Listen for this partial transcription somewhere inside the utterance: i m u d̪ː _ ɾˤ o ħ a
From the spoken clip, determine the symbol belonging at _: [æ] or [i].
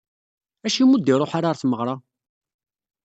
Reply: i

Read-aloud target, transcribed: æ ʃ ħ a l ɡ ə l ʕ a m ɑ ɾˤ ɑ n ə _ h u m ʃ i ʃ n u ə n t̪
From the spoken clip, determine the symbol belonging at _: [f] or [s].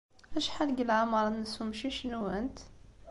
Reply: s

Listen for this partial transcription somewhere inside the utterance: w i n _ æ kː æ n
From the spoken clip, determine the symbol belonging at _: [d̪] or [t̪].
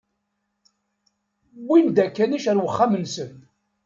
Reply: d̪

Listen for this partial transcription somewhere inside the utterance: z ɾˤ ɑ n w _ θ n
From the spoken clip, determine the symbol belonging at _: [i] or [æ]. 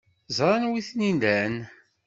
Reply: i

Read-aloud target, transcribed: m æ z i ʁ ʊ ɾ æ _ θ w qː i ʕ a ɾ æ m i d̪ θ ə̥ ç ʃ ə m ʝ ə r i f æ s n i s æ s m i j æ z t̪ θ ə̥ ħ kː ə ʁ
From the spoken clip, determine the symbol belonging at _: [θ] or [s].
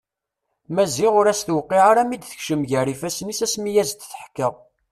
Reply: s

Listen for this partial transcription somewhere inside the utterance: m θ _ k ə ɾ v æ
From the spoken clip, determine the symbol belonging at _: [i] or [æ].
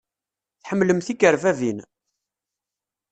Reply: i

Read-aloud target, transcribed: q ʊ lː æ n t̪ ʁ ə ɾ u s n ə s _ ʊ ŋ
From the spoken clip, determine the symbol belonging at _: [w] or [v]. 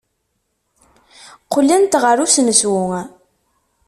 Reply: w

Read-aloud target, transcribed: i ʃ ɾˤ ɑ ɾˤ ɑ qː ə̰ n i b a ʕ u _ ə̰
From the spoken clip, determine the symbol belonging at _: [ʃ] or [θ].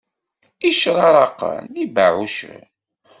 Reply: ʃ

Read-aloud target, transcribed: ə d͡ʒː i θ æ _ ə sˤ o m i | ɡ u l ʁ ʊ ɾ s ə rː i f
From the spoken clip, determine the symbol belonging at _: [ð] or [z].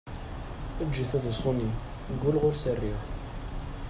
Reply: ð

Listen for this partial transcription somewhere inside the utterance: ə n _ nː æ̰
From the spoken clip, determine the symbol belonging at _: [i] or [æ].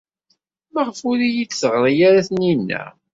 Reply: i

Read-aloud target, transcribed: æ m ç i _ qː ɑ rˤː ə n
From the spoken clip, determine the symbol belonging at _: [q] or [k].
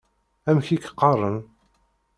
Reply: k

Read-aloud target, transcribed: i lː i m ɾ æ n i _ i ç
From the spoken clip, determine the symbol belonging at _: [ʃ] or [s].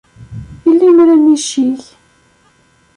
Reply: ʃ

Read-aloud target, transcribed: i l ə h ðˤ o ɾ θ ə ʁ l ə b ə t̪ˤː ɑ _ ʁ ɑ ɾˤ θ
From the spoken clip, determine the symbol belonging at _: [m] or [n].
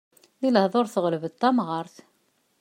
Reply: m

